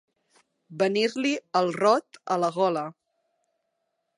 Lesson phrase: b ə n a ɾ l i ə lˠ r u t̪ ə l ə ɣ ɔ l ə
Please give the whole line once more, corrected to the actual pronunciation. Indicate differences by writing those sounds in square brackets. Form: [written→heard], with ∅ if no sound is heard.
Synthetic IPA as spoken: b ə n [a→i] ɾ l i ə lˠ r [u→ɔ] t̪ ə l ə ɣ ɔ l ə